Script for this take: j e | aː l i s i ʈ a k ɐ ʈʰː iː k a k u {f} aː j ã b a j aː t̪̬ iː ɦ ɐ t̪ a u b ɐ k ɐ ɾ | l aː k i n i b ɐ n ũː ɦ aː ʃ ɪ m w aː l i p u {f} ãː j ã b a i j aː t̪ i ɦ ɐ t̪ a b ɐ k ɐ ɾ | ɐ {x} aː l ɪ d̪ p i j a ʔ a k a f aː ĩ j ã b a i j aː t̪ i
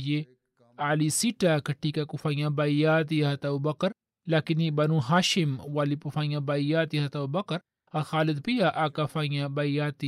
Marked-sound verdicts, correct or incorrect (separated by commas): correct, correct, correct